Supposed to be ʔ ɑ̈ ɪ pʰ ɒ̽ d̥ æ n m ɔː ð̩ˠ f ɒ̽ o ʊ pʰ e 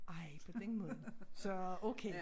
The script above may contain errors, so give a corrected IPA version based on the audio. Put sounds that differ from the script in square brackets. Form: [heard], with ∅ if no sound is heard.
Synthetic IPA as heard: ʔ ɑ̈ ɪ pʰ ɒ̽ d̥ [e] n m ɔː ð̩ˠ [s] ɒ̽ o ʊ [kʰ] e